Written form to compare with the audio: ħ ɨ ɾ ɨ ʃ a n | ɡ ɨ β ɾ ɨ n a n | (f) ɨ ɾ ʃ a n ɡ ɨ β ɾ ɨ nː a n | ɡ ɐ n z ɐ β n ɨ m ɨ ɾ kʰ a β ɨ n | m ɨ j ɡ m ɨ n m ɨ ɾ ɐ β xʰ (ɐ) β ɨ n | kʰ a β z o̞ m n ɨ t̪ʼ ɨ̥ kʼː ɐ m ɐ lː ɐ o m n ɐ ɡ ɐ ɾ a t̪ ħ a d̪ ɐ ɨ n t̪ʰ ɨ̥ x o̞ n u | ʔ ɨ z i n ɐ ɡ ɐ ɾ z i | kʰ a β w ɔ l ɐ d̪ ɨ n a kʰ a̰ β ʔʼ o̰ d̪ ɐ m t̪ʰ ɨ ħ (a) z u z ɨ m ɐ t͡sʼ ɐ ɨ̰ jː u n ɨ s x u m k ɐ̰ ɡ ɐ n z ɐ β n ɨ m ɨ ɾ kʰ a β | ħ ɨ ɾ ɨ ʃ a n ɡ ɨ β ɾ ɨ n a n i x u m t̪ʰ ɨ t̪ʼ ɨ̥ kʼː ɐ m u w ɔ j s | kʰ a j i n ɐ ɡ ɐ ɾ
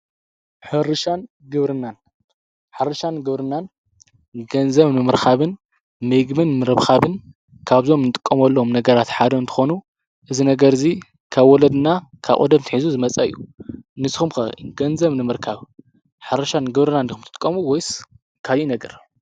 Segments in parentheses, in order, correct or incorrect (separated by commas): incorrect, incorrect, incorrect